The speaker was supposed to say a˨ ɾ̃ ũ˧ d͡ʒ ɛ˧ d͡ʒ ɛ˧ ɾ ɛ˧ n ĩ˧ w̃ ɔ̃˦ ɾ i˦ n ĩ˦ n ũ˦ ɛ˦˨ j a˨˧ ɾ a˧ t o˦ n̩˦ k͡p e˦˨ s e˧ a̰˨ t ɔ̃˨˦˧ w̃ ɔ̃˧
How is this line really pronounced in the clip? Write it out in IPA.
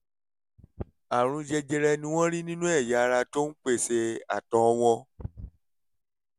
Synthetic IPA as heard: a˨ ɾ̃ ũ˧ d͡ʒ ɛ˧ d͡ʒ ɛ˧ ɾ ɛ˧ n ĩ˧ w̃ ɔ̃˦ ɾ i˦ n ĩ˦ n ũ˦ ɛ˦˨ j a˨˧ ɾ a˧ t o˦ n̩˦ k͡p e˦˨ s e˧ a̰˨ t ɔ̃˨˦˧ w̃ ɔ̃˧